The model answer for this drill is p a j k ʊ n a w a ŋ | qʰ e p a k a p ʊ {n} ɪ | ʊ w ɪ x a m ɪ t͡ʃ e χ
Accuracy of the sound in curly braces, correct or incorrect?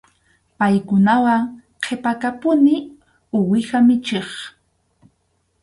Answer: correct